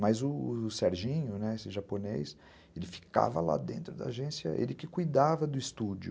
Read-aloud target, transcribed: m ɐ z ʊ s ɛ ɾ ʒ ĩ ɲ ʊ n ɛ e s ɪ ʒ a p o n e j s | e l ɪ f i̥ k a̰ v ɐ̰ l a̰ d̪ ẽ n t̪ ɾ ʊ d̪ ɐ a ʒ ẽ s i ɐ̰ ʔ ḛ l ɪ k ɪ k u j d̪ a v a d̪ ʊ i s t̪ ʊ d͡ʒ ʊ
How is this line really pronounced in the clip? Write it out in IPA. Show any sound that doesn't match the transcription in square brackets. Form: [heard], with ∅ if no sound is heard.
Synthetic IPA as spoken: m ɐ z ʊ s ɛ ɾ ʒ ĩ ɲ ʊ n ɛ e s ɪ ʒ a p o n e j s | e l ɪ f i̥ k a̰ v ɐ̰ l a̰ d̪ ẽ n t̪ ɾ ʊ d̪ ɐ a ʒ ẽ s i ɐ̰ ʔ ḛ l ɪ k ɪ k u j d̪ a v [ɐ] d̪ ʊ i s t̪ [u] d͡ʒ ʊ